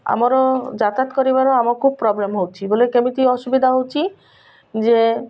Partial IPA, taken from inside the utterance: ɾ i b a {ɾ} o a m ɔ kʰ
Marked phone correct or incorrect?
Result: correct